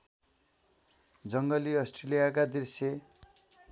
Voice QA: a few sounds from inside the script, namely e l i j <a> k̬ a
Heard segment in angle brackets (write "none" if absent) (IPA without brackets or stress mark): a